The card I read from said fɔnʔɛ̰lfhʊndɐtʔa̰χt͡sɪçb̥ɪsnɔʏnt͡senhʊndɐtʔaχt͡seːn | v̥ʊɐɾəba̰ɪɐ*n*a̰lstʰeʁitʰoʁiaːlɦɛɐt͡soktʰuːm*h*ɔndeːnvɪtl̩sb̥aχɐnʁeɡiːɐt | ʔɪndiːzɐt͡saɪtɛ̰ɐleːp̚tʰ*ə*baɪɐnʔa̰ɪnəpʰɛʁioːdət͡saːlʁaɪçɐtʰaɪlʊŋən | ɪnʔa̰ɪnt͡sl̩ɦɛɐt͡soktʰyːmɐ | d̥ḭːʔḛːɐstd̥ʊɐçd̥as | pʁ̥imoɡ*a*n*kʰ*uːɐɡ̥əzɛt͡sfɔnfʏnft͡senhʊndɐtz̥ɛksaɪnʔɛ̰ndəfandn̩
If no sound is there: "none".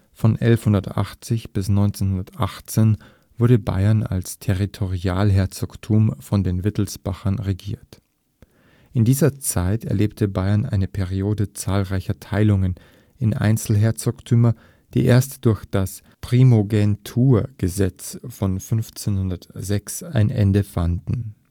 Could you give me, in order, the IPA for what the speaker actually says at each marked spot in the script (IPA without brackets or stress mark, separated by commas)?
n, f, ə, ɛ, tʰ